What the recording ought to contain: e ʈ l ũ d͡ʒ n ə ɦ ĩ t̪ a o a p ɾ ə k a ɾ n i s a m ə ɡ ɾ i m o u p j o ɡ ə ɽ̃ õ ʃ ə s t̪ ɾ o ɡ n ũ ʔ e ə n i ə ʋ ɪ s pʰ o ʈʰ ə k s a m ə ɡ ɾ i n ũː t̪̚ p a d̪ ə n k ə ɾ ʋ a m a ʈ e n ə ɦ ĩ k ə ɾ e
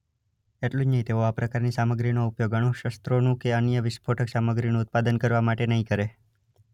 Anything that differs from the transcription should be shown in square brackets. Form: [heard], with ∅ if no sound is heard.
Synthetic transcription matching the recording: e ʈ l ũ d͡ʒ n ə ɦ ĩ t̪ [e] o a p ɾ ə k a ɾ n i s a m ə ɡ ɾ i [n] o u p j o ɡ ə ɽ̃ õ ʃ ə s t̪ ɾ o [∅] n ũ [k] e ə n [j] ə ʋ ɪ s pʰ o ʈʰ ə k s a m ə ɡ ɾ i n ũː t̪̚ p a d̪ ə n k ə ɾ ʋ a m a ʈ e n ə ɦ ĩ k ə ɾ e